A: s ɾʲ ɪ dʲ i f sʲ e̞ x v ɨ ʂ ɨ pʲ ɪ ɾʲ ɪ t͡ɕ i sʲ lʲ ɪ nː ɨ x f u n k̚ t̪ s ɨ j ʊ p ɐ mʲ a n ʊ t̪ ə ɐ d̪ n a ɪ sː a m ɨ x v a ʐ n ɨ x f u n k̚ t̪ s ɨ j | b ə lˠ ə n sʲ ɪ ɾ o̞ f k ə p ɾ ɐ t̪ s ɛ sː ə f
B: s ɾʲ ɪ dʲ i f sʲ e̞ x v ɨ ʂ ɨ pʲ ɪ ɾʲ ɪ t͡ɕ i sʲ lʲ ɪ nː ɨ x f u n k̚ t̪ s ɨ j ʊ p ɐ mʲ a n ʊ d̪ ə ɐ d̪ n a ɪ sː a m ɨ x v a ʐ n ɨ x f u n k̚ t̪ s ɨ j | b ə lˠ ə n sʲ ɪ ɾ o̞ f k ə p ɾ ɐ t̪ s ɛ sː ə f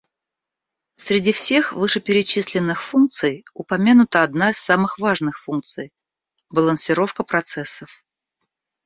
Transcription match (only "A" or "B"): A